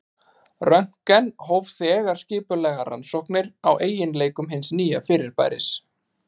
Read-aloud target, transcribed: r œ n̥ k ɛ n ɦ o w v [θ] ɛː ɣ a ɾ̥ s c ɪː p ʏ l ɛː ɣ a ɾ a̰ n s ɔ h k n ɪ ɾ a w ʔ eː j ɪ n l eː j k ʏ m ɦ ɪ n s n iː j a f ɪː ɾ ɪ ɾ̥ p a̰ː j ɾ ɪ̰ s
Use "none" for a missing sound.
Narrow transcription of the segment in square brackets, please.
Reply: θ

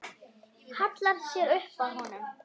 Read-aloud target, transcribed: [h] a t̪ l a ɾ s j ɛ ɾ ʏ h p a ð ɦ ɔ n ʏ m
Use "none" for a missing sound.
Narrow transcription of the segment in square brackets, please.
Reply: h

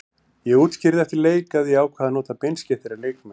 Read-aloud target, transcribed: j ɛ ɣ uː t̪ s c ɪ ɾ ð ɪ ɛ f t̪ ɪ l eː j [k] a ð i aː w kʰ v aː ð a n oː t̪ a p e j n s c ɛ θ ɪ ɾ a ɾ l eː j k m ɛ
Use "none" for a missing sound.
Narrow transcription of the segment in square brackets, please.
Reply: k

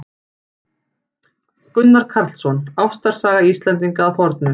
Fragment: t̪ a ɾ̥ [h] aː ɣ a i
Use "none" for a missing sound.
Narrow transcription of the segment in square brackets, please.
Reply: s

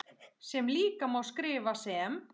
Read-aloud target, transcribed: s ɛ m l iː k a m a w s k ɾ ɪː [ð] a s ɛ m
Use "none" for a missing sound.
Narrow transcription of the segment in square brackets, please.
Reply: v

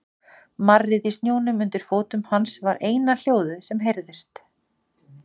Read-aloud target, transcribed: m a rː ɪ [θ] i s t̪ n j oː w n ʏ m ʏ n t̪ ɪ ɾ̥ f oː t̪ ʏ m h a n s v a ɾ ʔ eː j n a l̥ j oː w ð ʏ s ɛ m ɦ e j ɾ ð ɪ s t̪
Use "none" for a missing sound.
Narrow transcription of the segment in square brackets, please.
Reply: ð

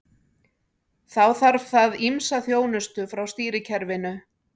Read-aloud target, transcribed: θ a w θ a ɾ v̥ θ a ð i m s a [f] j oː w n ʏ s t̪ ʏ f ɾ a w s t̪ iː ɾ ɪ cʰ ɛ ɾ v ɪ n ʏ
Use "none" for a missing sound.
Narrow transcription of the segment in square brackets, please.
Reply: θ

